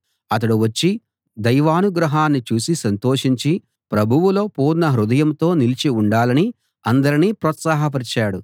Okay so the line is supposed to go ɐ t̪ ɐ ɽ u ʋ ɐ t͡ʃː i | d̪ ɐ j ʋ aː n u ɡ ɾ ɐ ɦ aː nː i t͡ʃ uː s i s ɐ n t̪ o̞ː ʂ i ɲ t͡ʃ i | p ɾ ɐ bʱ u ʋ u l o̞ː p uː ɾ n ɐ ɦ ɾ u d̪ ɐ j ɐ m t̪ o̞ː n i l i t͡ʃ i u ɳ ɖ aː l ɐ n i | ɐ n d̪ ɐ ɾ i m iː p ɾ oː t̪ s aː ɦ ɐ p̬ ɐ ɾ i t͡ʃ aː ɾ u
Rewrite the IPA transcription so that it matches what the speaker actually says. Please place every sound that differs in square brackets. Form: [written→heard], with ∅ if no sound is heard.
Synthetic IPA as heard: ɐ t̪ ɐ ɽ u ʋ ɐ t͡ʃː i | d̪ ɐ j ʋ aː n u ɡ ɾ ɐ ɦ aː nː i t͡ʃ uː s i s ɐ n t̪ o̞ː ʂ i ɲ t͡ʃ i | p ɾ ɐ bʱ u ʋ u l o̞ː p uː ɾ n ɐ ɦ ɾ u d̪ ɐ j ɐ m t̪ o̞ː n i l i t͡ʃ i u ɳ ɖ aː l ɐ n i | ɐ n d̪ ɐ ɾ i [m→n] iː p ɾ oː t̪ s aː ɦ ɐ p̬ ɐ ɾ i t͡ʃ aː [ɾ→ɽ] u